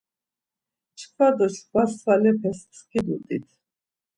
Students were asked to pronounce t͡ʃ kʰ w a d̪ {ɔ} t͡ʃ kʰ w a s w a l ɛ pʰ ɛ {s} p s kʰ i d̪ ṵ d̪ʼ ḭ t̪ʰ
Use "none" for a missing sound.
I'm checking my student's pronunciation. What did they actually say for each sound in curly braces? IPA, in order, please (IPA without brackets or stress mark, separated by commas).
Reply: ɔ, s